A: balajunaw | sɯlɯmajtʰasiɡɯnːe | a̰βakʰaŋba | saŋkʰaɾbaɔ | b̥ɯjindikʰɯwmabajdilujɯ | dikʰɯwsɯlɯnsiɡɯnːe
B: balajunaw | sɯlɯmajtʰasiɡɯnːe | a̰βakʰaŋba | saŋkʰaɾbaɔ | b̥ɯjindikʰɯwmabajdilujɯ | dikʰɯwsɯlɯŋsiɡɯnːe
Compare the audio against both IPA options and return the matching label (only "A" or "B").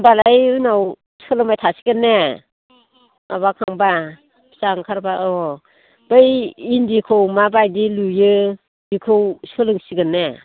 B